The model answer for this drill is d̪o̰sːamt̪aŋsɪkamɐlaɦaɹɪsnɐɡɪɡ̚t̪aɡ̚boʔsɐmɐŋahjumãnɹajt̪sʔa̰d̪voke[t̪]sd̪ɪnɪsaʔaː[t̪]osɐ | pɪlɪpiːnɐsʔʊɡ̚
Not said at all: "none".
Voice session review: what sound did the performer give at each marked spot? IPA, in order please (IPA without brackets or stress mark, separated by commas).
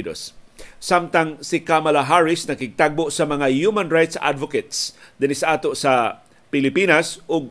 t̪, t̪